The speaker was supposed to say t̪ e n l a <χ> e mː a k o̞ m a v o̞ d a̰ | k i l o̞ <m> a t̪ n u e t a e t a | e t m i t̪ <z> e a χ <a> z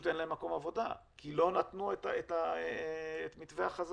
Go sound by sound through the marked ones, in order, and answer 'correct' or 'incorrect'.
incorrect: none, incorrect: n, incorrect: v, correct

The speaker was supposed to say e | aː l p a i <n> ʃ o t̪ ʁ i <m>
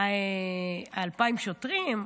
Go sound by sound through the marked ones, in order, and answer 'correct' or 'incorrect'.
incorrect: m, correct

